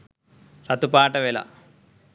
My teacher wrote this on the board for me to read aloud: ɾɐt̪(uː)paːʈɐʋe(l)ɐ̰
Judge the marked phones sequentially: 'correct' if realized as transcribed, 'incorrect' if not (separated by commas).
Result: incorrect, correct